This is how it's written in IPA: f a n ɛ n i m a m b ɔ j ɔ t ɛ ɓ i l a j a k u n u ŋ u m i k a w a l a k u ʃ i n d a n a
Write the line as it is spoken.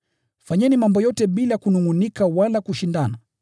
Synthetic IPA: f a ɲ ɛ n i m a m b ɔ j ɔ t ɛ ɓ i l a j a k u n u ŋ u n i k a w a l a k u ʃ i n d a n a